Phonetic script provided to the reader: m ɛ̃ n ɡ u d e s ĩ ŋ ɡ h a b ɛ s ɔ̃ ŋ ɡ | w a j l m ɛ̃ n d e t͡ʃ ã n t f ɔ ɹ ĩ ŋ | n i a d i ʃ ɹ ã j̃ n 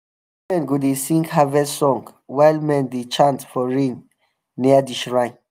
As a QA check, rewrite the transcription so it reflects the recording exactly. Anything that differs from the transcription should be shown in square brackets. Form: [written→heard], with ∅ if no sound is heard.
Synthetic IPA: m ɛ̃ n ɡ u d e s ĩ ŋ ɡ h a [b→v] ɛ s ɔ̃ ŋ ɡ | w a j l m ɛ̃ n d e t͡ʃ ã n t f ɔ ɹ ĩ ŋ | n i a d i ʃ ɹ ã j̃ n

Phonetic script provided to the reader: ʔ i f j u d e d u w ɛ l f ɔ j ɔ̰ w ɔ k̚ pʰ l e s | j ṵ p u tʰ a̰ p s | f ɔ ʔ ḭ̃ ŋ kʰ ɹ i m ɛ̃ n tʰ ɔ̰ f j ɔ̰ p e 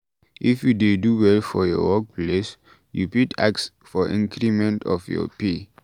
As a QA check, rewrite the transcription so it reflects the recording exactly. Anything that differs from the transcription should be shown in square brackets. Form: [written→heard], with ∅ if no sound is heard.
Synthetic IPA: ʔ i f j u d e d u w ɛ l f ɔ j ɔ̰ w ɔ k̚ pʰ l e s | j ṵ p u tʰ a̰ [p→k] s | f ɔ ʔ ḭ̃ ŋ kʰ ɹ i m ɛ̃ n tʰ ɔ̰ f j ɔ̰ p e

